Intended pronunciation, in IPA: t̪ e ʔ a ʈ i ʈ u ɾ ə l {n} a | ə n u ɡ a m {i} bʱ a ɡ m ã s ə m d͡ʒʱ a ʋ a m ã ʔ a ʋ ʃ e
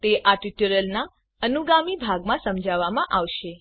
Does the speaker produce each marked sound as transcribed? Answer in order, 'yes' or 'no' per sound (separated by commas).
yes, yes